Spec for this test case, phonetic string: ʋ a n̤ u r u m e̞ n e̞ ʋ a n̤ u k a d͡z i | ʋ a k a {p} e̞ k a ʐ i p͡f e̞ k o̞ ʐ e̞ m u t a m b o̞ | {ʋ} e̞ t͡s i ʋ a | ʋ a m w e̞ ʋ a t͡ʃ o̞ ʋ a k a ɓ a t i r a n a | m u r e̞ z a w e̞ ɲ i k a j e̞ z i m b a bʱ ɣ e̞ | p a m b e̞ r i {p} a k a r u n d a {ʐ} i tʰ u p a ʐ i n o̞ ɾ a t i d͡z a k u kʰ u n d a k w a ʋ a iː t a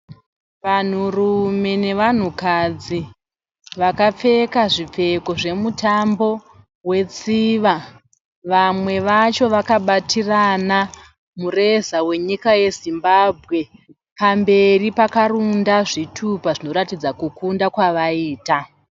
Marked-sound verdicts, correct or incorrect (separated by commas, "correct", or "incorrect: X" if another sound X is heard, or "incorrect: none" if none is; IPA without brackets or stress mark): incorrect: p͡f, incorrect: w, correct, correct